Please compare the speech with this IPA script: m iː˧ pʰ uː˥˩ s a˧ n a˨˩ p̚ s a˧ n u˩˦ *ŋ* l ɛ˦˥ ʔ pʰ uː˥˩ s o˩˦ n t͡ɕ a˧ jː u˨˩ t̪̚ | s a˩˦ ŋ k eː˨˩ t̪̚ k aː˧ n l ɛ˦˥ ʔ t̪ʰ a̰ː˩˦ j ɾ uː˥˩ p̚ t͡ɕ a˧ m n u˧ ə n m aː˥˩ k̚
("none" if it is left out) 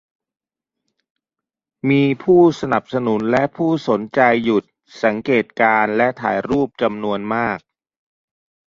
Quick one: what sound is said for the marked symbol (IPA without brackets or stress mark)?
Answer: n